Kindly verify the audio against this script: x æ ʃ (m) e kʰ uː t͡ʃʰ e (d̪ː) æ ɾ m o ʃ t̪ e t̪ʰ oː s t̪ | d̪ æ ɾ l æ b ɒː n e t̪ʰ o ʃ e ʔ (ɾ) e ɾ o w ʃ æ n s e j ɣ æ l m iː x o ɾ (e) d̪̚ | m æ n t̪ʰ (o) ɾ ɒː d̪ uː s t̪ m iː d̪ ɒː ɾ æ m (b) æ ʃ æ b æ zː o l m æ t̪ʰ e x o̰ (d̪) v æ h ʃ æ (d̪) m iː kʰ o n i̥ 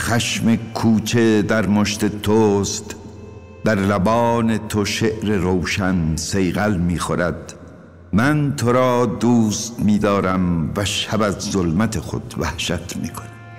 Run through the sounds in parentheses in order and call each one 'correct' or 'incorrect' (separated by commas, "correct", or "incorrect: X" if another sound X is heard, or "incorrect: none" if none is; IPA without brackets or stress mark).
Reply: correct, incorrect: d̪, correct, incorrect: æ, correct, incorrect: v, correct, incorrect: t̪